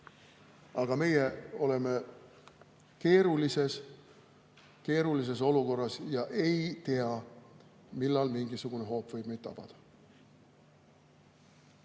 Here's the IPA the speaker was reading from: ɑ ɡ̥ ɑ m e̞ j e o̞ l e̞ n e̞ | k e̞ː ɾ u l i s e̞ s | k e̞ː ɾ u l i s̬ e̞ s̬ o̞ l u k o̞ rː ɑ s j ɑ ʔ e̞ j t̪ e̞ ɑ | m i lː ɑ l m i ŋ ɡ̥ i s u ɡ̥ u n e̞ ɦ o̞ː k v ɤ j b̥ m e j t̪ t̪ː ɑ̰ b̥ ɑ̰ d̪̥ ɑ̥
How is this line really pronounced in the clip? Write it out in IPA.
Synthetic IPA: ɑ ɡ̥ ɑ m e̞ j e o̞ l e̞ m e̞ | k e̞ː ɾ u l i s e̞ s | k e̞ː ɾ u l i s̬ e̞ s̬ o̞ l u k o̞ rː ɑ s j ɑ ʔ e̞ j t̪ e̞ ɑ | m i lː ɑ l m i ŋ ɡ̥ i s u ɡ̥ u n e̞ ɦ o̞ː p v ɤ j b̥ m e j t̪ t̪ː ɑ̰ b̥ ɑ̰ d̪̥ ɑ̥